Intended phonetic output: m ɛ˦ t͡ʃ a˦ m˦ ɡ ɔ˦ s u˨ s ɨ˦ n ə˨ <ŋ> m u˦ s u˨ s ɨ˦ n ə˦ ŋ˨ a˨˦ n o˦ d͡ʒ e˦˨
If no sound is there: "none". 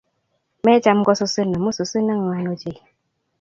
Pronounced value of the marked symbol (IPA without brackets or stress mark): none